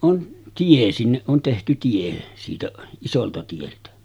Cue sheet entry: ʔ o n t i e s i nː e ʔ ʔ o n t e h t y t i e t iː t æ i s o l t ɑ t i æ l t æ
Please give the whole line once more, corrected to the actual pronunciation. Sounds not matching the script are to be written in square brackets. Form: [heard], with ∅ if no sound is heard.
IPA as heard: ʔ o n t i e s i nː e ʔ ʔ o n t e h t y t i e [s] iː t æ i s o l t ɑ t i [e] l t æ